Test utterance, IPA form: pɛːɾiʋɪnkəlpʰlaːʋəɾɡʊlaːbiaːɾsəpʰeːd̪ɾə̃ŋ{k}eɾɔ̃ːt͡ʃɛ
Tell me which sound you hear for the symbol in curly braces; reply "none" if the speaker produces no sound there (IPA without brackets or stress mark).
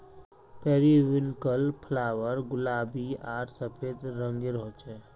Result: ɡ